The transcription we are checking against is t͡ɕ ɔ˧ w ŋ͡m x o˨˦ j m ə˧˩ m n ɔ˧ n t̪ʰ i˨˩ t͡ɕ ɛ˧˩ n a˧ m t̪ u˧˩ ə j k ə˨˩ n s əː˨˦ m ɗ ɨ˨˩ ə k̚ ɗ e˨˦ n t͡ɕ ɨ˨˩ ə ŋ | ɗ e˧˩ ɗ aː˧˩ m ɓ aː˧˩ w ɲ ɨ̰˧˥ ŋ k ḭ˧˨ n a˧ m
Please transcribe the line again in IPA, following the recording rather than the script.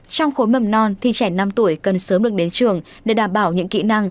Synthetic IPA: t͡ɕ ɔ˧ w ŋ͡m x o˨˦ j m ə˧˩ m n ɔ˧ n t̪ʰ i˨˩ t͡ɕ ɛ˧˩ n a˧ m t̪ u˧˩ ə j k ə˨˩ n s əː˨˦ m ɗ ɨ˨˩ ə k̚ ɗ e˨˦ n t͡ɕ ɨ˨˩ ə ŋ | ɗ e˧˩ ɗ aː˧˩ m ɓ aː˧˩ w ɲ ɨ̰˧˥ ŋ k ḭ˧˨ n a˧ ŋ